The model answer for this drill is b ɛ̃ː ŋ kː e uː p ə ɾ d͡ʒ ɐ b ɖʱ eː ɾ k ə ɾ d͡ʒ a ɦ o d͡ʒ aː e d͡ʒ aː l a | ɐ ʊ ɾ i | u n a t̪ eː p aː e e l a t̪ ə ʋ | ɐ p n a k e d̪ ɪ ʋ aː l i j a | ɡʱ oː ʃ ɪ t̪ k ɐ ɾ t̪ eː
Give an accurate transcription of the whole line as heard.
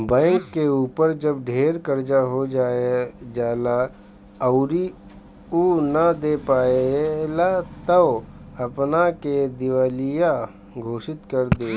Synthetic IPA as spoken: b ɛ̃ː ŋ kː e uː p ə ɾ d͡ʒ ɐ b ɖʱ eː ɾ k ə ɾ d͡ʒ a ɦ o d͡ʒ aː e d͡ʒ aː l a | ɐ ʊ ɾ i | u n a d̪ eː p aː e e l a t̪ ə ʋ | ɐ p n a k e d̪ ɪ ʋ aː l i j a | ɡʱ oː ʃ ɪ t̪ k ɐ ɾ d̪ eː